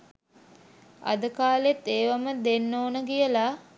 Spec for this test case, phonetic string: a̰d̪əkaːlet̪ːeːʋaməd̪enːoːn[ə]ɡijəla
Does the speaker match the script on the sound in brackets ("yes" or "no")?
yes